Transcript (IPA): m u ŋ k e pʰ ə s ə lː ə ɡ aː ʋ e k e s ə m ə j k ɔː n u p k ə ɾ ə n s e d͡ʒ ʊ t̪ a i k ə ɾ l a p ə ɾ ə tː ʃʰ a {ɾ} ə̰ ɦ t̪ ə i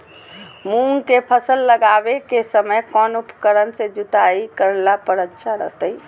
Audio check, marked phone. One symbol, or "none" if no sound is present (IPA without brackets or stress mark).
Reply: ɾ